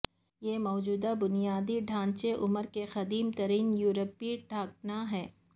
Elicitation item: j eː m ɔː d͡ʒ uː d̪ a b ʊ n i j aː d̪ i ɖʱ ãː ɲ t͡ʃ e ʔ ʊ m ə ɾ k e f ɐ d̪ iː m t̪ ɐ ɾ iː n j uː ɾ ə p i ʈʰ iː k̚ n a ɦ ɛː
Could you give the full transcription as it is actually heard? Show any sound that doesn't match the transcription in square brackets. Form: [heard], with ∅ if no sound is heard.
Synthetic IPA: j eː m ɔː d͡ʒ uː d̪ a b ʊ n i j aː d̪ i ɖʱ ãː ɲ t͡ʃ e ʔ ʊ m ə ɾ k e [x] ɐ d̪ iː m t̪ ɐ ɾ iː n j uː ɾ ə p i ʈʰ [aː] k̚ n a ɦ ɛː